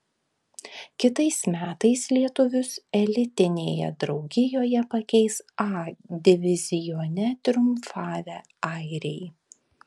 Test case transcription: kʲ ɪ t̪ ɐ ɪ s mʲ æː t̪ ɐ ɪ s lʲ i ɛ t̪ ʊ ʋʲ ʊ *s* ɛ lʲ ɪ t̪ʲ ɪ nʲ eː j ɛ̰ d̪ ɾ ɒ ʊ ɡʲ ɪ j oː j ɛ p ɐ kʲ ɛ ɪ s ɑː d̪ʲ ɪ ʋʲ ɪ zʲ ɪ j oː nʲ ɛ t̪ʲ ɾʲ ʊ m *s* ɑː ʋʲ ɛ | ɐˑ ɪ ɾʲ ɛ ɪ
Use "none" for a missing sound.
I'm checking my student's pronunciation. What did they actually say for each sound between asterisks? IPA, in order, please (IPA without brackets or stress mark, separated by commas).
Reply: s, f